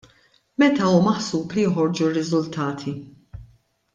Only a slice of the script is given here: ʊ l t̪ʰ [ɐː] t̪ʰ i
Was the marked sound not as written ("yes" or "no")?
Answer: no